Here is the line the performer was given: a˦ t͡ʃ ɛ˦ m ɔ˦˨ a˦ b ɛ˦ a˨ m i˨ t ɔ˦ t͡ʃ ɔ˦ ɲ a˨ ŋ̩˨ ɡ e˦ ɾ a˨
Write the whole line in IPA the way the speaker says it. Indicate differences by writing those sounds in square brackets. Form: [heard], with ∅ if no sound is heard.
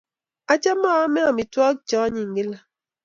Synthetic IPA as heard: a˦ t͡ʃ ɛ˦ m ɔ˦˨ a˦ [m] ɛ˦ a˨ m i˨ t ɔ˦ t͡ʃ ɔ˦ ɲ [i˨] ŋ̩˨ ɡ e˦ [l] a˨